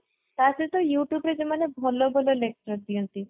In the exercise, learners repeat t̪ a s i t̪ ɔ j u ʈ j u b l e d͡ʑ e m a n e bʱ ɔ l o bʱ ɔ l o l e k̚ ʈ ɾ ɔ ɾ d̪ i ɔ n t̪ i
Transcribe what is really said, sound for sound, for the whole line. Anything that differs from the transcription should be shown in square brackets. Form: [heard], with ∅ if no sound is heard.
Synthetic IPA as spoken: t̪ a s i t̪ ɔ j u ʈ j u b [ɾ] e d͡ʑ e m a n e bʱ ɔ l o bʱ ɔ l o l e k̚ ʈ ɾ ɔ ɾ d̪ i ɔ n t̪ i